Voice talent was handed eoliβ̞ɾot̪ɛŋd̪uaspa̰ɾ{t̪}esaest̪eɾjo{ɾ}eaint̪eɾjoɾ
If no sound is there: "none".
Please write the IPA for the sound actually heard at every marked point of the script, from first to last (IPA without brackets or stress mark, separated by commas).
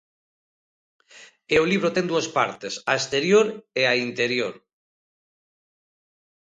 t̪, ɾ